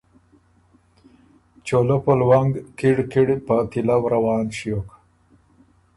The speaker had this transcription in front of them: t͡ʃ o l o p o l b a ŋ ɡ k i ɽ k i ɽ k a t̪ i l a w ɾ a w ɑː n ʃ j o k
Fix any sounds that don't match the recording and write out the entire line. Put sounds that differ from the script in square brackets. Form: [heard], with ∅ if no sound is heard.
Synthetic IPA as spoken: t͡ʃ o l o p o l [w] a ŋ ɡ k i ɽ k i ɽ [p] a t̪ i l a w ɾ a w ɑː n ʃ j o k